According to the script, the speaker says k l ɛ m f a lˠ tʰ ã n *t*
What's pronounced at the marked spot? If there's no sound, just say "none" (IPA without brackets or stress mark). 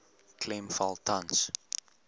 s